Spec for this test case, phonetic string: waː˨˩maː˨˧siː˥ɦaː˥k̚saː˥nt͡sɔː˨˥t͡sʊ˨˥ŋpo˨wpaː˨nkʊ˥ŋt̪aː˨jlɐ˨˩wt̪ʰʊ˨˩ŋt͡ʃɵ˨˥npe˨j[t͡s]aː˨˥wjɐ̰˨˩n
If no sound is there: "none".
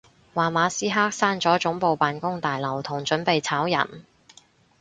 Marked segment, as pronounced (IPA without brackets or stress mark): t͡sʰ